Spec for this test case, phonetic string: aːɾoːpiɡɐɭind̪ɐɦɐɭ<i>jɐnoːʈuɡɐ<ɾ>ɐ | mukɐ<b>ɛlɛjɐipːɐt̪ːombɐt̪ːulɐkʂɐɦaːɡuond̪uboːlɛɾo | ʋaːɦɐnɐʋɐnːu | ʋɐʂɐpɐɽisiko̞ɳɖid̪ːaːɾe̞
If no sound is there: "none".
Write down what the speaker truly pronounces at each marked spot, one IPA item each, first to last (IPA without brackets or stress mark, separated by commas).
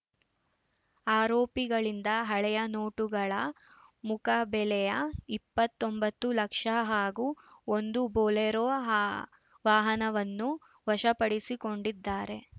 ɛ, ɭ, b